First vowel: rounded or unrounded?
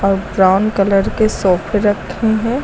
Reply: rounded